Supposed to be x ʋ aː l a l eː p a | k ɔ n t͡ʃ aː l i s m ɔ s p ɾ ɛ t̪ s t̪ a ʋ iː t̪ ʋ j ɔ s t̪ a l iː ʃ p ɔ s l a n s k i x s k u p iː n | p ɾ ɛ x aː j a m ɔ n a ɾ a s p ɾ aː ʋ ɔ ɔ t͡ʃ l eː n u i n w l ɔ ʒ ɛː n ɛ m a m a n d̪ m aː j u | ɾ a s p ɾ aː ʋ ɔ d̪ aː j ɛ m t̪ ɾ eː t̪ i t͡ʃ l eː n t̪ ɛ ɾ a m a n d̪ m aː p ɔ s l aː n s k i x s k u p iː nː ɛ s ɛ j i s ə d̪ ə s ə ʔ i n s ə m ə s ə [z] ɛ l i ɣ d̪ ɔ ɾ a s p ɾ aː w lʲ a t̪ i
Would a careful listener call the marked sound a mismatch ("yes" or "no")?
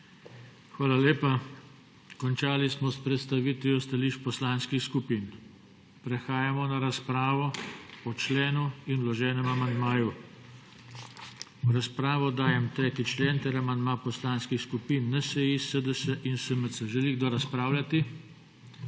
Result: yes